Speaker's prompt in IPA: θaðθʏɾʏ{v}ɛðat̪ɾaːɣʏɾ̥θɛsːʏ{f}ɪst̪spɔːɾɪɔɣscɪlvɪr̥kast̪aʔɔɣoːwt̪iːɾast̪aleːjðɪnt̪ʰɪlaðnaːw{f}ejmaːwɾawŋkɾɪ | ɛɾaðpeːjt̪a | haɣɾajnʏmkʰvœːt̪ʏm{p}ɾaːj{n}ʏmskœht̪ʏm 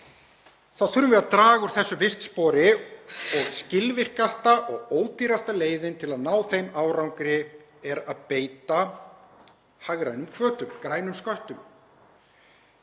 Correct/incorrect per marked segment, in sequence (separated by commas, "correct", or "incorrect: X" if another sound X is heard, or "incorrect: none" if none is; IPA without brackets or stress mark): correct, incorrect: v, incorrect: θ, incorrect: k, correct